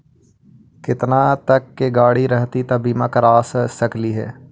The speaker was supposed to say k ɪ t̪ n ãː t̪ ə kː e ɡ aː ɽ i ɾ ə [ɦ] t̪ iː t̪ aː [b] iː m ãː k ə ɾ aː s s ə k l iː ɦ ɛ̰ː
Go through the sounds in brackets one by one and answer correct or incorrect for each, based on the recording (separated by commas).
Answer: correct, correct